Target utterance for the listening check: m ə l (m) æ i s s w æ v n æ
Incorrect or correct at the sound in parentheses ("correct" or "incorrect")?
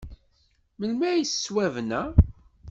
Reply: correct